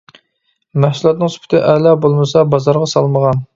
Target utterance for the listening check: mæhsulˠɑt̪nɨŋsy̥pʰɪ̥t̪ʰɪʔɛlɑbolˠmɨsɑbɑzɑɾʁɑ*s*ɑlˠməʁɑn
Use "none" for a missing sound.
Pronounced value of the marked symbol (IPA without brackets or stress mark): s